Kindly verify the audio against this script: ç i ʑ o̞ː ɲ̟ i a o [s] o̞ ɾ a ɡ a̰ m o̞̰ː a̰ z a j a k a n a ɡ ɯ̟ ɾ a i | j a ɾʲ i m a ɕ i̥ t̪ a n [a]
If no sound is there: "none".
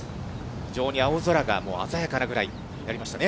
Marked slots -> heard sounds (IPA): z, e

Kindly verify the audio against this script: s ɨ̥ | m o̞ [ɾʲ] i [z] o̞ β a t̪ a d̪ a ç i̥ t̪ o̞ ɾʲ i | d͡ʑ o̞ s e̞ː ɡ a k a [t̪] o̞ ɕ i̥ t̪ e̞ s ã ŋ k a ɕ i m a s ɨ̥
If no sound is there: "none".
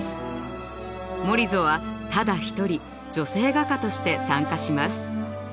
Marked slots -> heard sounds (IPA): ɾʲ, z, t̪

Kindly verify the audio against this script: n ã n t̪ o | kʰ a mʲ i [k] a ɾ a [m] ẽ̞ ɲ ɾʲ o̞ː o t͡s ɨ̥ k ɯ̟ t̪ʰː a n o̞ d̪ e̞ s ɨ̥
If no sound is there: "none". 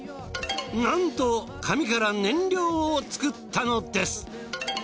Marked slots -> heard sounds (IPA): k, n

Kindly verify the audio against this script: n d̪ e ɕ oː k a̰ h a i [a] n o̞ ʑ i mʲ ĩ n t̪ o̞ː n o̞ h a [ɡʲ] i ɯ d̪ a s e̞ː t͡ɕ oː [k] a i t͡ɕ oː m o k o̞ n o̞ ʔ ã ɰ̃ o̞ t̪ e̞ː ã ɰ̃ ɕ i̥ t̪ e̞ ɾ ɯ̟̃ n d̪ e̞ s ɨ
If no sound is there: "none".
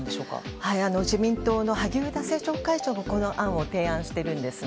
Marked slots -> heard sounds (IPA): a, ɡʲ, k

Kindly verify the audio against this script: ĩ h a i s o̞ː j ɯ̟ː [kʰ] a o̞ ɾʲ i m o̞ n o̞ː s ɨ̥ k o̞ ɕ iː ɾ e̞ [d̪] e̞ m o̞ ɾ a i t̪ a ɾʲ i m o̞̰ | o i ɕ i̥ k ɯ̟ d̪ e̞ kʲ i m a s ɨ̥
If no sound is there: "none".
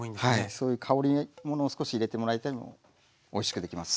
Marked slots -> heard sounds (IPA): kʰ, t̪

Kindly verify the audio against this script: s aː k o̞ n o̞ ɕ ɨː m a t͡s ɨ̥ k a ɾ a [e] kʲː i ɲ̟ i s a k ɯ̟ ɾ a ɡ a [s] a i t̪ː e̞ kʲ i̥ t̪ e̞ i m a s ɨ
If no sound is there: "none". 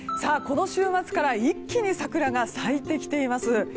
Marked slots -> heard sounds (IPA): i, s

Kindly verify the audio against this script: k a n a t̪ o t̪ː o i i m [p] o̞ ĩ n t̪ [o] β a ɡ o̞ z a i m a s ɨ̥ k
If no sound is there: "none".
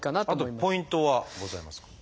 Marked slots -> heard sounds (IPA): p, o

